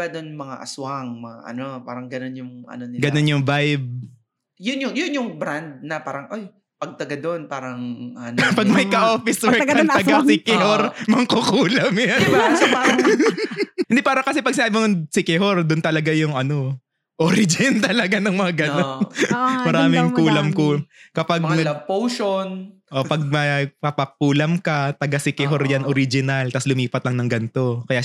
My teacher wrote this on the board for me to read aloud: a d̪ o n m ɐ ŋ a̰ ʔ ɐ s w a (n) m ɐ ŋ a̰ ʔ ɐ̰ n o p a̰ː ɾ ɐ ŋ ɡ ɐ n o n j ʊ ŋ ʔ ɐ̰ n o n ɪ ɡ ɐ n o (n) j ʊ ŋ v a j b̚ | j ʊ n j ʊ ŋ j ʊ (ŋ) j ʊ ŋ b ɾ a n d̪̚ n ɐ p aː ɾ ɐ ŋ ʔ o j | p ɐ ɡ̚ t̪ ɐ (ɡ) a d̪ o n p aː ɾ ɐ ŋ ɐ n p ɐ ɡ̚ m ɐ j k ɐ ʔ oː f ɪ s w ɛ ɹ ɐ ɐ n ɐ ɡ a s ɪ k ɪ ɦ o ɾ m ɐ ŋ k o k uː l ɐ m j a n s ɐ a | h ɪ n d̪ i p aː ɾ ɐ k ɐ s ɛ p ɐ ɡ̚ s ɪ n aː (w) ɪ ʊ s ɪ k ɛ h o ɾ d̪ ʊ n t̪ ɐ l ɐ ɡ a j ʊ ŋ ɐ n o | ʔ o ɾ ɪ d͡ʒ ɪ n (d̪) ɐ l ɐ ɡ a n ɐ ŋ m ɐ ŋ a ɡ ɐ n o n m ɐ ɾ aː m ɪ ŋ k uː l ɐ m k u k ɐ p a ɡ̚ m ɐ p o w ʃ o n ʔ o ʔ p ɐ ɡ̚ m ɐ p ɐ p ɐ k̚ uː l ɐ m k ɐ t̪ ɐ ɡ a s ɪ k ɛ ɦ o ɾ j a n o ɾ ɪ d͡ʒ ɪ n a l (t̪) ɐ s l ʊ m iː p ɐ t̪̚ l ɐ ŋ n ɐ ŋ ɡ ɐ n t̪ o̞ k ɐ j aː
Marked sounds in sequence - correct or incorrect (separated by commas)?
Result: incorrect, correct, incorrect, correct, incorrect, incorrect, correct